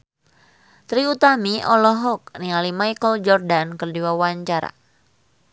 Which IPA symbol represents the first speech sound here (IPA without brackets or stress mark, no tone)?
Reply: t̪